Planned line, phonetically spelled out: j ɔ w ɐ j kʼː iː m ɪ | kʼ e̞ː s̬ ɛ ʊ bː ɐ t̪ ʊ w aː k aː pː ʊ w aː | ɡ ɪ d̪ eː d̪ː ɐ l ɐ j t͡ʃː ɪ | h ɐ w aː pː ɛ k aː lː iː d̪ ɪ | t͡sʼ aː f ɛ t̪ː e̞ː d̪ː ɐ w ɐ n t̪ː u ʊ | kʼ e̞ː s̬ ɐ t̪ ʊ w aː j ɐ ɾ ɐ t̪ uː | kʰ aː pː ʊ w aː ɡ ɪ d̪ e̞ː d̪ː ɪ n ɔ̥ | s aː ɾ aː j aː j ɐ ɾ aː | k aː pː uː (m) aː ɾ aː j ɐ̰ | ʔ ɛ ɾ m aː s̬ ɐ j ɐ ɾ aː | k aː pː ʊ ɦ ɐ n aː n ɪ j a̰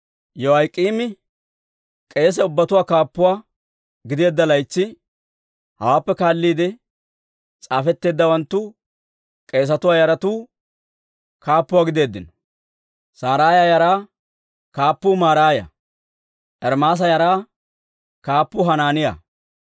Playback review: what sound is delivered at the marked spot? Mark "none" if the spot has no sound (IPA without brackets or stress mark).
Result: m